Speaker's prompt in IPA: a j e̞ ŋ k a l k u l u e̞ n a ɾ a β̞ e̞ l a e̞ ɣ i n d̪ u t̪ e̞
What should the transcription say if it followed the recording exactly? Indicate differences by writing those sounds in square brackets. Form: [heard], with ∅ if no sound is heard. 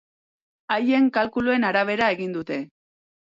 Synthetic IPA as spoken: a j e̞ ŋ k a l k u l u e̞ n a ɾ a β̞ e̞ [ɾ] a e̞ ɣ i n d̪ u t̪ e̞